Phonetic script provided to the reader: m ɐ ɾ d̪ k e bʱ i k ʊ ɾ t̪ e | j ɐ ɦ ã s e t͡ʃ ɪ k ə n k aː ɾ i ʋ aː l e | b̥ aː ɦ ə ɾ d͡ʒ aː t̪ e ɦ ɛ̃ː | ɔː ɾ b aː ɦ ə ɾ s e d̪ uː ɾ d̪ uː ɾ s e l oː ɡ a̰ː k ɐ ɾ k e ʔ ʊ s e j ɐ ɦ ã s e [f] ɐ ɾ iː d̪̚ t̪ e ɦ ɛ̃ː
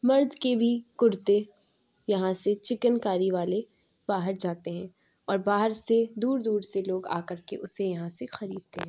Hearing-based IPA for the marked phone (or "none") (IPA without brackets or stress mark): x